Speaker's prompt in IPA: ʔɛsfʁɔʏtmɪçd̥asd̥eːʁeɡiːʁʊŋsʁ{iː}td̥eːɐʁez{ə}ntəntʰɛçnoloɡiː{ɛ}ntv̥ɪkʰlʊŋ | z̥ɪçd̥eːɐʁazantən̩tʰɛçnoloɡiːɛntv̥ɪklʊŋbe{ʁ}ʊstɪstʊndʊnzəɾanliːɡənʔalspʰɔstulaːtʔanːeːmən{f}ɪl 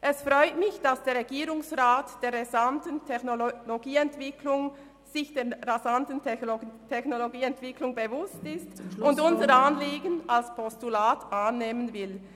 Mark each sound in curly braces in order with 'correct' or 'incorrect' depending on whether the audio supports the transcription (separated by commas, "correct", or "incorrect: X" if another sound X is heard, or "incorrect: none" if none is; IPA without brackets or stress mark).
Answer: incorrect: aː, incorrect: a, correct, incorrect: v, incorrect: v